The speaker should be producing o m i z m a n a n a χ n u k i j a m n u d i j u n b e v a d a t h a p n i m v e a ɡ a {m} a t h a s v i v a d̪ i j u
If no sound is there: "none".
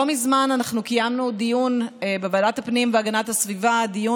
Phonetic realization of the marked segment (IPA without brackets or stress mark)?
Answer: n